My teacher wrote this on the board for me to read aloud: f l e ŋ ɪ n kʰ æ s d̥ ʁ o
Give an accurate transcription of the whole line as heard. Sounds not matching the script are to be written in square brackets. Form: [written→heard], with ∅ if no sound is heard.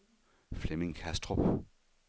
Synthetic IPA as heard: f l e [ŋ→m] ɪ [n→ŋ] kʰ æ s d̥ ʁ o